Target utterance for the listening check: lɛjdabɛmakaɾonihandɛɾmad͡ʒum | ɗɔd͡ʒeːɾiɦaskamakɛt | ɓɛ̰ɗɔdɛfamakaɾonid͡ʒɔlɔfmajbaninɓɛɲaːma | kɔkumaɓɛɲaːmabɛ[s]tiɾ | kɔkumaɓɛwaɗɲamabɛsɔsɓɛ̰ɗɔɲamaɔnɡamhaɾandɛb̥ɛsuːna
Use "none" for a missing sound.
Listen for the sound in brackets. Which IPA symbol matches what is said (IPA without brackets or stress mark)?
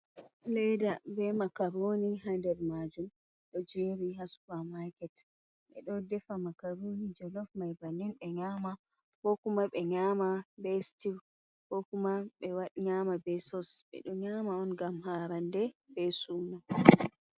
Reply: s